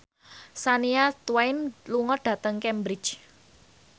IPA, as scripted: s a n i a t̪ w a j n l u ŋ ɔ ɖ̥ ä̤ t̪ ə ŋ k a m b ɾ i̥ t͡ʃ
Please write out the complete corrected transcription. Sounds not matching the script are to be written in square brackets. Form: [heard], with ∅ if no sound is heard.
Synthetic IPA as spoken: s a n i a t̪ w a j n l u ŋ ɔ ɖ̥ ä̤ t̪ ə ŋ k [ɛ] m b ɾ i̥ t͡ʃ